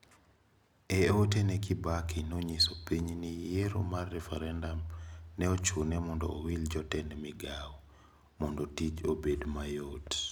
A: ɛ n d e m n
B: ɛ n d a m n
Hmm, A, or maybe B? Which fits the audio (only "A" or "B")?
B